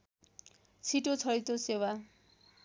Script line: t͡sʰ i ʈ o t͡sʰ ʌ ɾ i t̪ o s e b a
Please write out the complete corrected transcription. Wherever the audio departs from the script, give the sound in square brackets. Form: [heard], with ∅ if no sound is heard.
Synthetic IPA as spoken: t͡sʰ i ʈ o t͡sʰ ʌ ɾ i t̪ o s e [w] a